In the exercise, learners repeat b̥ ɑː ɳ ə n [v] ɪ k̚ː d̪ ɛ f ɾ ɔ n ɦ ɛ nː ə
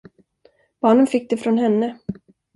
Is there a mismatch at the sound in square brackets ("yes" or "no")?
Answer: yes